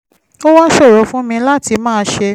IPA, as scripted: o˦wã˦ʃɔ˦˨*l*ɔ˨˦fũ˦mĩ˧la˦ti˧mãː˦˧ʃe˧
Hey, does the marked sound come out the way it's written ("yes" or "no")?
no